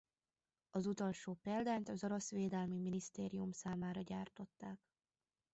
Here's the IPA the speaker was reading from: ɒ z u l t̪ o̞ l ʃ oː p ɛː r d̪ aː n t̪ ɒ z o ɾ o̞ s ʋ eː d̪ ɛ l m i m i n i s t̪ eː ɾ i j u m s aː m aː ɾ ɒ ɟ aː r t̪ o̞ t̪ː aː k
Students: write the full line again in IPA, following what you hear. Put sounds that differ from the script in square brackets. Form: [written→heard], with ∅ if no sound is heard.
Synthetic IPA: ɒ z u [l→∅] t̪ o̞ l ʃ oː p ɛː [r→l] d̪ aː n t̪ ɒ z o ɾ o̞ s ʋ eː d̪ ɛ l m i m i n i s t̪ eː ɾ i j u m s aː m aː ɾ ɒ ɟ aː r t̪ o̞ t̪ː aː k